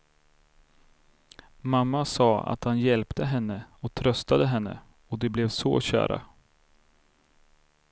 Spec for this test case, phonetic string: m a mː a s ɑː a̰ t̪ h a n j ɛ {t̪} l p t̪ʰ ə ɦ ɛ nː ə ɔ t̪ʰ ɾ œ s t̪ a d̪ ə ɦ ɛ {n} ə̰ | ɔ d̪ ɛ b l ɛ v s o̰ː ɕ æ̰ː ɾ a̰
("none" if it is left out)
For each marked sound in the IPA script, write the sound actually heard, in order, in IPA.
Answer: none, nː

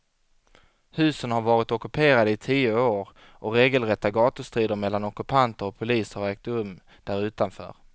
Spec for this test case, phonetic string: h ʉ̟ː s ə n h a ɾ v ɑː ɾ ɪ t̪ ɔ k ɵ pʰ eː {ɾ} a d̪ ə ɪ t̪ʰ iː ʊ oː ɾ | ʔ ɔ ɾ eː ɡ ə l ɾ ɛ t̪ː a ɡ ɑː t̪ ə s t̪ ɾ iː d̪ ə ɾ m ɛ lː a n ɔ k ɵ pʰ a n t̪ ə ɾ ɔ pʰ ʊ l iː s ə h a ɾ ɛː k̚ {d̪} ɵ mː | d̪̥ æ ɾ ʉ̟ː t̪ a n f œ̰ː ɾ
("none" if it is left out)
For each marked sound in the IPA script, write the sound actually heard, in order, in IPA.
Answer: ɾ, t̪

